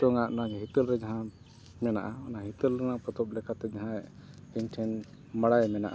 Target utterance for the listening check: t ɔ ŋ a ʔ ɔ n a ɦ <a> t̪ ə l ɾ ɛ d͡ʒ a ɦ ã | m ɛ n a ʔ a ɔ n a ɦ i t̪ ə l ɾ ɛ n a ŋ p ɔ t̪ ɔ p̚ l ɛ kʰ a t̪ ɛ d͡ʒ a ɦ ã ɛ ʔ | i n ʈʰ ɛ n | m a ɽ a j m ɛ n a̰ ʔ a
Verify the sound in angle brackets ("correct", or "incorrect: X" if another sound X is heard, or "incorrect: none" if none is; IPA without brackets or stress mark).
incorrect: i